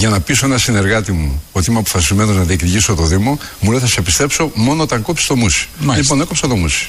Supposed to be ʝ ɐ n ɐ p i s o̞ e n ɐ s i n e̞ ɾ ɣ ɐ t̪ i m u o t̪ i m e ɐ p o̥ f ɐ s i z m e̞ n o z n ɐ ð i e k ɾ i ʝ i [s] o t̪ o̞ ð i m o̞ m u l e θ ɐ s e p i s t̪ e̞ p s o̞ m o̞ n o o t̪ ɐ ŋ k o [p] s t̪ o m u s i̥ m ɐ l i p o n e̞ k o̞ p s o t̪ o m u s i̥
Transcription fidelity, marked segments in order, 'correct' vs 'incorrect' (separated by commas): correct, correct